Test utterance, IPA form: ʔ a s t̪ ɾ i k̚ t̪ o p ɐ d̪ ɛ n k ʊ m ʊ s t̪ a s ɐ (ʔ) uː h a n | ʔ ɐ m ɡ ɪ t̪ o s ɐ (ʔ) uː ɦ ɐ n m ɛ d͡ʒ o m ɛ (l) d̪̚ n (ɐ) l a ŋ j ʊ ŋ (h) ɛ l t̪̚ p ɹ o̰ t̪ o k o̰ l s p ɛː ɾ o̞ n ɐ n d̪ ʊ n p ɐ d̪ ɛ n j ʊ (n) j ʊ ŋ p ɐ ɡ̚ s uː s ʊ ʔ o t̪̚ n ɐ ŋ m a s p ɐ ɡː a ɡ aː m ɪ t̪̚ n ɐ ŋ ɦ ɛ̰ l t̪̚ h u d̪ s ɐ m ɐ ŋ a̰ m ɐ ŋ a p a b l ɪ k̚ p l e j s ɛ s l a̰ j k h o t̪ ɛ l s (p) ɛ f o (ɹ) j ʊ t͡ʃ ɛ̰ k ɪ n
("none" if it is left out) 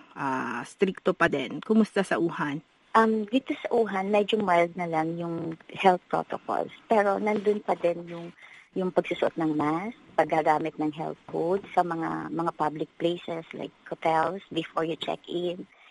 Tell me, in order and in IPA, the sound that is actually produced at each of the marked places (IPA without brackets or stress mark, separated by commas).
ʔ, ʔ, l, ɐ, h, ŋ, b, ɹ